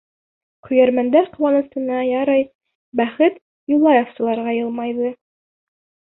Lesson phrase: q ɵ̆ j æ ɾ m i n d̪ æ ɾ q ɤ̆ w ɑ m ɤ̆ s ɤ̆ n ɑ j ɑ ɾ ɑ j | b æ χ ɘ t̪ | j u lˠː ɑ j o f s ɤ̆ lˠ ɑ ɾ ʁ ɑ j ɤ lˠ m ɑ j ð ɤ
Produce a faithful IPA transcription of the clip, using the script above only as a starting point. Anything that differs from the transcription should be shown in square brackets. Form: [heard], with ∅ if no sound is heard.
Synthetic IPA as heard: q ɵ̆ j æ ɾ m [æ] n d̪ æ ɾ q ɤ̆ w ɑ [n] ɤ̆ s ɤ̆ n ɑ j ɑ ɾ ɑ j | b æ χ ɘ t̪ | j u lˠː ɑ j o f s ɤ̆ lˠ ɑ ɾ ʁ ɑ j ɤ lˠ m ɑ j ð ɤ